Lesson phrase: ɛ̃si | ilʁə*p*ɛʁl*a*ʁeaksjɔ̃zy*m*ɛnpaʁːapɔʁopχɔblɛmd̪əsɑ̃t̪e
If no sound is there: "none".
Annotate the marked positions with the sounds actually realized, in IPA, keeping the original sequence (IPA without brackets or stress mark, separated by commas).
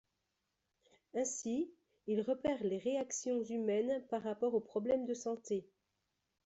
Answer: p, e, m